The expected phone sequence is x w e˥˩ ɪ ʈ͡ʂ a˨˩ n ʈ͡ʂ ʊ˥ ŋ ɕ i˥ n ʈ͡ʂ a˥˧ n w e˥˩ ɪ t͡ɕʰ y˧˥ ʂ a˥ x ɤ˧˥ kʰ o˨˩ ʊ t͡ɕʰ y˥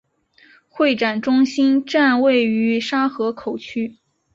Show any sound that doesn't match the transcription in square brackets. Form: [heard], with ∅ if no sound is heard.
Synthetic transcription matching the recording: x w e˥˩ ɪ ʈ͡ʂ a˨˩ n ʈ͡ʂ ʊ˥ ŋ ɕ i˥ n ʈ͡ʂ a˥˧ n w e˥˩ ɪ [∅] y˧˥ ʂ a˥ x ɤ˧˥ kʰ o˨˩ ʊ t͡ɕʰ y˥